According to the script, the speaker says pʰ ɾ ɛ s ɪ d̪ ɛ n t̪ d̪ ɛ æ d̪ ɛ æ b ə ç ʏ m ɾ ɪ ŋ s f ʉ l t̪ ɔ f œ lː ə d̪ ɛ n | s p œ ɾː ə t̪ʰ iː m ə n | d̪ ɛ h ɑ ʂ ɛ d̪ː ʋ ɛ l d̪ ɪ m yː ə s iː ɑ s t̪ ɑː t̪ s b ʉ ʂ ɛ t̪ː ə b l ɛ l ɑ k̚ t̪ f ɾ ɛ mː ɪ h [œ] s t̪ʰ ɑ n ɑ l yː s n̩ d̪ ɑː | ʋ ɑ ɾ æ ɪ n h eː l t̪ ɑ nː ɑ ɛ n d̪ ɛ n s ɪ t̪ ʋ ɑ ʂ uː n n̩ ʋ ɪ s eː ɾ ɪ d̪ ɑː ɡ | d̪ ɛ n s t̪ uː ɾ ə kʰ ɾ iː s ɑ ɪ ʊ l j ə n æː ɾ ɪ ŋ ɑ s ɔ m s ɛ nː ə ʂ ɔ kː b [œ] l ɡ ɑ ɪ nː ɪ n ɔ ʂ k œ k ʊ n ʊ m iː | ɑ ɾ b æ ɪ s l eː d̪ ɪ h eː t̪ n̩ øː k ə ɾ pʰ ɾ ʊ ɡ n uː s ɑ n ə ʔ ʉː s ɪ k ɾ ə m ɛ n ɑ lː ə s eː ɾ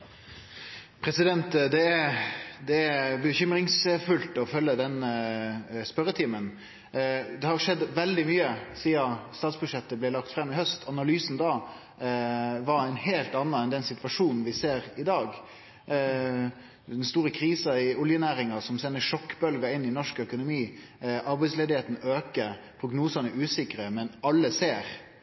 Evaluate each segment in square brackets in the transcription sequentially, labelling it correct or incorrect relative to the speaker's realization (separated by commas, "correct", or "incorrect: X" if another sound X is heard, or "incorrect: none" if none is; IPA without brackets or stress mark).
correct, correct